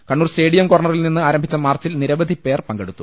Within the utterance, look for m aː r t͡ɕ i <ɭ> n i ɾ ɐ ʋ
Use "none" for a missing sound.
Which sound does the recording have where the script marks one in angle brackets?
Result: l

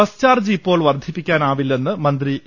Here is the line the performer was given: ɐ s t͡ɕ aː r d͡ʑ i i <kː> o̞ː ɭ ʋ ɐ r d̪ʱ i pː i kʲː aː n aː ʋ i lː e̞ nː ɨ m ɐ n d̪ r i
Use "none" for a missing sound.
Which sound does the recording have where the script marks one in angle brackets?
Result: pː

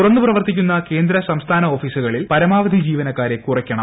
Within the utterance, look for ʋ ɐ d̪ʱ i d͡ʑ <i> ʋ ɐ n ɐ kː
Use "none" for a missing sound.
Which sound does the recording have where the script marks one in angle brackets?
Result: iː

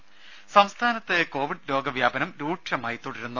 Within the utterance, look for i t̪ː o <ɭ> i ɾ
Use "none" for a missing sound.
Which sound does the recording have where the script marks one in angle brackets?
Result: ɽ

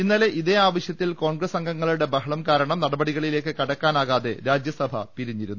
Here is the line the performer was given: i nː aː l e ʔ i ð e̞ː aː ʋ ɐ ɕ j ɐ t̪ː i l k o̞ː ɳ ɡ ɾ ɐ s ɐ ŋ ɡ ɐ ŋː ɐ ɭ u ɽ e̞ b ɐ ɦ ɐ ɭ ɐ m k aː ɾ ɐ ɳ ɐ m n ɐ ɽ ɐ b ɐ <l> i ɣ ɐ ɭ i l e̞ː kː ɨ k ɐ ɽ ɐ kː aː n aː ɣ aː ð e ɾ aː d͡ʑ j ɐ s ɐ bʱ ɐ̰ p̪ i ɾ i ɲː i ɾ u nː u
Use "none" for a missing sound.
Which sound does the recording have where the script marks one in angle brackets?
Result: ɽ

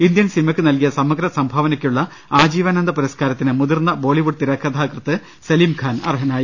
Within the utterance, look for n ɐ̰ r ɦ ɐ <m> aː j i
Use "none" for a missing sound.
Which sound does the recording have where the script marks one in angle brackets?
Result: n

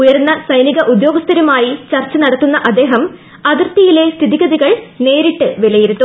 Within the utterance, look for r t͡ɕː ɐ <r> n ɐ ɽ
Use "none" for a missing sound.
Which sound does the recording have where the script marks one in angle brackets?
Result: none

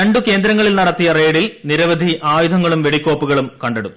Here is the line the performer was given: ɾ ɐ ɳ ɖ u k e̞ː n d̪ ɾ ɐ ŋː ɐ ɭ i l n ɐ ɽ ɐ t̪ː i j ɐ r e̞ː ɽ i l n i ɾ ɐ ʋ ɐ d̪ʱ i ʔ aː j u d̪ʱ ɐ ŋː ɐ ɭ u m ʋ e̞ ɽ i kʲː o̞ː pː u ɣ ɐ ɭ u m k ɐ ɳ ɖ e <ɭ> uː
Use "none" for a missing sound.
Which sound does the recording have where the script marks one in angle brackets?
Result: ɽ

